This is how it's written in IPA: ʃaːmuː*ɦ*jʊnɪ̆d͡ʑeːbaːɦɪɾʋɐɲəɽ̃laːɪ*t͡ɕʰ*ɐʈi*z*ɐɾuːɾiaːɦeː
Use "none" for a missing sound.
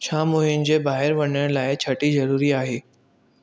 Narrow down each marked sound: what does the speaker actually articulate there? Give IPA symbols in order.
ɦ, t͡ɕʰ, z

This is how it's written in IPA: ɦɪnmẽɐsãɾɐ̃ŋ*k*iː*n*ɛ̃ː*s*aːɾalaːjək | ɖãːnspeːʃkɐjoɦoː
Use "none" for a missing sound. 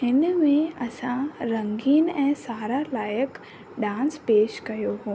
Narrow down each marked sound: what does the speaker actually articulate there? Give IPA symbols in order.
ɡ, n, s

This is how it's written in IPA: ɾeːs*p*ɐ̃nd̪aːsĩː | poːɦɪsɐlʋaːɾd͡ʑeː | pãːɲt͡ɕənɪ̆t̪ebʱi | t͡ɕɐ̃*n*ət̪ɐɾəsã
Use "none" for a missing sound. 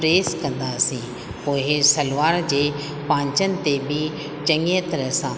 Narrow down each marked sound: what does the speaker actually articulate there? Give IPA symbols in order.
k, ŋ

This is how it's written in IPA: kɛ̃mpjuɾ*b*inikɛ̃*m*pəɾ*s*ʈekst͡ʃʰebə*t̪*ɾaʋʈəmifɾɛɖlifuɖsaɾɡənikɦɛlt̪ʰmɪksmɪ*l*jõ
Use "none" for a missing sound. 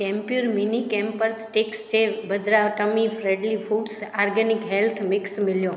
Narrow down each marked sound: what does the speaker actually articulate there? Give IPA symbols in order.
m, m, s, d̪, l

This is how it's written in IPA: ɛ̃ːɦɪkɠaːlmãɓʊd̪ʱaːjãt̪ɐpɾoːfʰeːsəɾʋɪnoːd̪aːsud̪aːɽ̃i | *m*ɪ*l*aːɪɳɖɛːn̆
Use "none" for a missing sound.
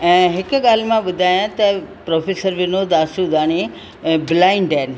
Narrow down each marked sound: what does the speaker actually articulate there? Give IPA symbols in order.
b, l

